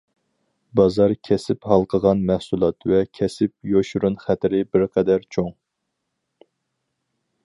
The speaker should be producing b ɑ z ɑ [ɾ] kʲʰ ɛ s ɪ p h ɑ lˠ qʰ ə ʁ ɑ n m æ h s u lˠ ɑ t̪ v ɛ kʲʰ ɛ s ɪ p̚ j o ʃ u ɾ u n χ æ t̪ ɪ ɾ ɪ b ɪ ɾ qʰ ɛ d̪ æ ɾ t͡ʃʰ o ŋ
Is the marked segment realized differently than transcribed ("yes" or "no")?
no